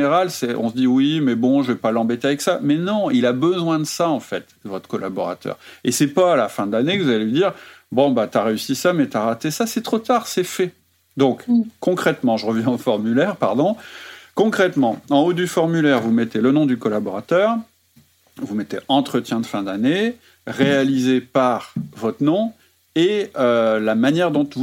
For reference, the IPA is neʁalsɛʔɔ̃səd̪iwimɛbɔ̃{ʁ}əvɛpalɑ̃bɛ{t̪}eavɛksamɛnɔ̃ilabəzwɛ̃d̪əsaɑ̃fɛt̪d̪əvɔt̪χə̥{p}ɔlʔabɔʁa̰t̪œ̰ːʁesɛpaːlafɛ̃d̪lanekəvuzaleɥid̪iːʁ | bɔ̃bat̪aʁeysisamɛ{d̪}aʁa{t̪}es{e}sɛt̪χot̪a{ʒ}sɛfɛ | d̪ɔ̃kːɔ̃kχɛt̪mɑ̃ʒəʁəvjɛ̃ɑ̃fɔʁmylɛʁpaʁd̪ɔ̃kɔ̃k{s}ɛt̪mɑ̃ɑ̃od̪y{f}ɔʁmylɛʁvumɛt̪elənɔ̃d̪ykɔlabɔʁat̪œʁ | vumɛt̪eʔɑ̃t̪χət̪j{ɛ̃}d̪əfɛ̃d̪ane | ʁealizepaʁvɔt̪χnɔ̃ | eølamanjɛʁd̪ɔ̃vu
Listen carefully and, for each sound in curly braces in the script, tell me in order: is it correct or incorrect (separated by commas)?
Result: incorrect, correct, incorrect, incorrect, correct, incorrect, incorrect, incorrect, correct, correct